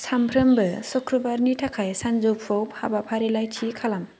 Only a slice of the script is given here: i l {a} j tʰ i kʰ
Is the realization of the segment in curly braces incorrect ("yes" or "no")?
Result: no